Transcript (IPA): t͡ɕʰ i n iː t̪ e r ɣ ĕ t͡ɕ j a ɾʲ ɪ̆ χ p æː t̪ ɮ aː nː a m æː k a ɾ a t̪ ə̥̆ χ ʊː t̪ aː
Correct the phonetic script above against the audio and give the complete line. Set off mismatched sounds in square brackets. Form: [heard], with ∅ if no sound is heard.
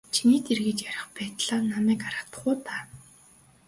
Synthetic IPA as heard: t͡ɕʰ i n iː t̪ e r ɣ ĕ t͡ɕ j a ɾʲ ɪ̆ χ p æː t̪ ɮ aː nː a m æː k a ɾ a t̪ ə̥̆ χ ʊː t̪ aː